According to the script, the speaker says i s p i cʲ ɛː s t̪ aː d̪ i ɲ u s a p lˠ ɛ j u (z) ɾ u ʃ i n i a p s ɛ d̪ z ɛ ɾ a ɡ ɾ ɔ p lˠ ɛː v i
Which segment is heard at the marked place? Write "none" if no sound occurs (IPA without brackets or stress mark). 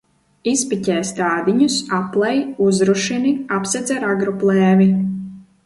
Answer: z